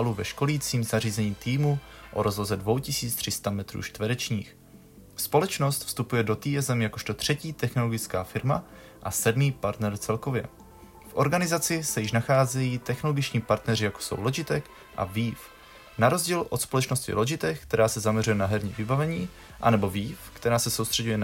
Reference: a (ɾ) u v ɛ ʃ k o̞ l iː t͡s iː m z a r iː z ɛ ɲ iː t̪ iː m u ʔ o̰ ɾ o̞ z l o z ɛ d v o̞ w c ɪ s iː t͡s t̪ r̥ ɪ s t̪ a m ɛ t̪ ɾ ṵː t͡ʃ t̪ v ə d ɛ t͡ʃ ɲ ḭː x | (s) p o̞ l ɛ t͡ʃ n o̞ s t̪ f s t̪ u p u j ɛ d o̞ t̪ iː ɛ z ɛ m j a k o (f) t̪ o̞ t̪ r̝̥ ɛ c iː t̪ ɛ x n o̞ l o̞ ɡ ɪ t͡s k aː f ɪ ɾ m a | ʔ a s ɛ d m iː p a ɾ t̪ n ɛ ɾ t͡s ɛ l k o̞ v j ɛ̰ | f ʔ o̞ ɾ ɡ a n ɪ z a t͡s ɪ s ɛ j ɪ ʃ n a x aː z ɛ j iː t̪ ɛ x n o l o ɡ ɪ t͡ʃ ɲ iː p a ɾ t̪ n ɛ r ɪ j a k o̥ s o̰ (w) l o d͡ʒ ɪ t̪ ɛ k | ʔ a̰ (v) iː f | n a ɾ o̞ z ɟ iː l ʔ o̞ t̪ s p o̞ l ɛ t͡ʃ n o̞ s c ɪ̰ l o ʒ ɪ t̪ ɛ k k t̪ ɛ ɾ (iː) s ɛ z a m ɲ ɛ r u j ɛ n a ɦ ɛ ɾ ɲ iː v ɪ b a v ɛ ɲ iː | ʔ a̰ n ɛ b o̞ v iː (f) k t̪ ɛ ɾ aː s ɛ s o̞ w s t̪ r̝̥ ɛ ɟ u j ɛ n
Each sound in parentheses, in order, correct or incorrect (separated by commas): incorrect, correct, incorrect, correct, correct, incorrect, correct